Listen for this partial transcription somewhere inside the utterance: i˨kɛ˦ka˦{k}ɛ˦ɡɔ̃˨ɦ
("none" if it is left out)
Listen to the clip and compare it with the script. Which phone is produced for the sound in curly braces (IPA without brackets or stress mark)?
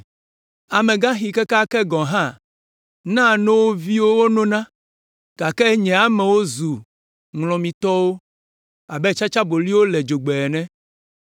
k